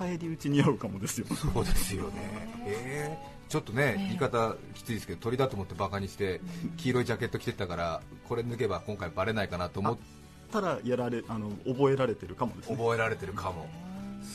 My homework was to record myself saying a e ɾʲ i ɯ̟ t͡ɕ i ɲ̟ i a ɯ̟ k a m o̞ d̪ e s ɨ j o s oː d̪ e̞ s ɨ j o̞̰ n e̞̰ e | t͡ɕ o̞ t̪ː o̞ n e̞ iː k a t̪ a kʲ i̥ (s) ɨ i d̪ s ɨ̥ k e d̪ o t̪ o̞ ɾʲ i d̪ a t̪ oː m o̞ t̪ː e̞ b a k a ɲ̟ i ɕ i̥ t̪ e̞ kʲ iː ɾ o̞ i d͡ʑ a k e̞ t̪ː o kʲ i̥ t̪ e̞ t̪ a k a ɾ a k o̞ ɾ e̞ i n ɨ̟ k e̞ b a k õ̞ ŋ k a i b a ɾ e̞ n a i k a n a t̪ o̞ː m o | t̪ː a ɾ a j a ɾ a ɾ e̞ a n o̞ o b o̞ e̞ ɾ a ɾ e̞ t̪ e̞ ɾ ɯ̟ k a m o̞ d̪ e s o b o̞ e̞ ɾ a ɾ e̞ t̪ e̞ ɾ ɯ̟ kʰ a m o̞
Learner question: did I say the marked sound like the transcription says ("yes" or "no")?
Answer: no